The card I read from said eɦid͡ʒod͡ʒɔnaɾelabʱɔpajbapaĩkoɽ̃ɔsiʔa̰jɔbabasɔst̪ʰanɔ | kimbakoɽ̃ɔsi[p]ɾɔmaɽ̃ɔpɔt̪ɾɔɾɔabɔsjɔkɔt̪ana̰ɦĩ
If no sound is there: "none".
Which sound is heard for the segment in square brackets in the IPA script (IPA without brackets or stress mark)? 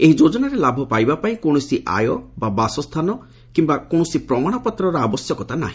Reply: p